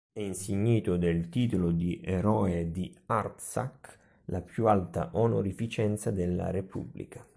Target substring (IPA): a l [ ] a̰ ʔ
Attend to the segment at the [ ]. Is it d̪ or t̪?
t̪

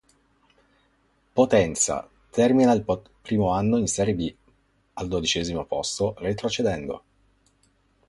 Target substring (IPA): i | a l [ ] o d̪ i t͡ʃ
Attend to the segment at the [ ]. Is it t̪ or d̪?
d̪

